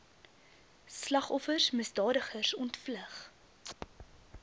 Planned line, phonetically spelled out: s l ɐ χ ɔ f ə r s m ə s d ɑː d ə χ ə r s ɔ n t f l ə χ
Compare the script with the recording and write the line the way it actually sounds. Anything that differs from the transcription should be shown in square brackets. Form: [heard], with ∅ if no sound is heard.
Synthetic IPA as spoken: s l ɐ χ ɔ f ə r s m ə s d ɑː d ə χ ə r s ɔ n t f l ə χ